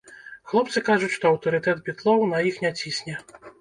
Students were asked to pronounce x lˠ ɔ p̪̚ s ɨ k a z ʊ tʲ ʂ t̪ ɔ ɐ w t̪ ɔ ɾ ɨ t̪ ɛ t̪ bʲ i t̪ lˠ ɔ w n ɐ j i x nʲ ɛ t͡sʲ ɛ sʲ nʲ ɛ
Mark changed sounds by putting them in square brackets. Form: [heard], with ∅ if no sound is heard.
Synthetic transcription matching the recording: x lˠ ɔ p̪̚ s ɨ k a [ʐ] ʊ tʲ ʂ t̪ ɔ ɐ w t̪ ɔ ɾ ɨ t̪ ɛ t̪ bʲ i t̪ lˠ ɔ w n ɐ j i x nʲ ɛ t͡sʲ [i] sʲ nʲ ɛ